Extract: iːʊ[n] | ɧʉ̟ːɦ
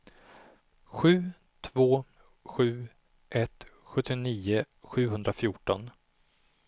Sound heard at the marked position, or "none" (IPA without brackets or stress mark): none